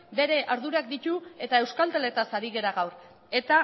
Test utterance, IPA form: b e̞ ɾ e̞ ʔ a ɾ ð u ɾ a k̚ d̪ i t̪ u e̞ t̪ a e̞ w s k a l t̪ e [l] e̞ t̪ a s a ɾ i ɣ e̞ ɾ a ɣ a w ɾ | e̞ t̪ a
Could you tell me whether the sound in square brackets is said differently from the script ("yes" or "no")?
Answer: no